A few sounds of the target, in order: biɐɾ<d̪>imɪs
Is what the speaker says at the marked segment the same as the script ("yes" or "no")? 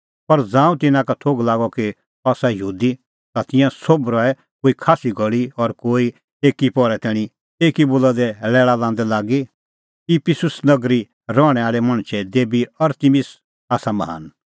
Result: no